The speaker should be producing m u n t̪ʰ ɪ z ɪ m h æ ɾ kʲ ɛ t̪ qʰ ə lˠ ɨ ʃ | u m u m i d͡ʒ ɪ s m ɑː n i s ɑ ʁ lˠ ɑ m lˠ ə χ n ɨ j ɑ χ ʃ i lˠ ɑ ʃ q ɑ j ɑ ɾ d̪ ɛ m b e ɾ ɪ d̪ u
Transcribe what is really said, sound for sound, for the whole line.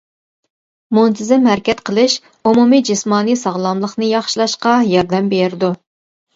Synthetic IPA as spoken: m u n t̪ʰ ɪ z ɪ m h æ ɾ kʲ ɛ t̪ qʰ ə lˠ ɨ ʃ | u m u m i d͡ʒ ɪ s m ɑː n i s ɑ ʁ lˠ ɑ m lˠ ə χ n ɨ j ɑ χ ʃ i lˠ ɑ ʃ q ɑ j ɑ ɾ d̪ ɛ m b e ɾ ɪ d̪ u